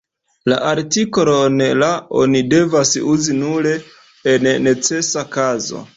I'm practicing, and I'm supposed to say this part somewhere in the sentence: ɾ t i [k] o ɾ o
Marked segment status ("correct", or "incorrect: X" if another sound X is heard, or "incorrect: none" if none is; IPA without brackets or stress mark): correct